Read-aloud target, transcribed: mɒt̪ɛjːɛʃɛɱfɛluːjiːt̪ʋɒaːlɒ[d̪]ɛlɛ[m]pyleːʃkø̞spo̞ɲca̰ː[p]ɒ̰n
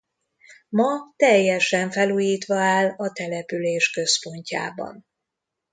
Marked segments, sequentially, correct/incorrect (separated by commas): incorrect, incorrect, incorrect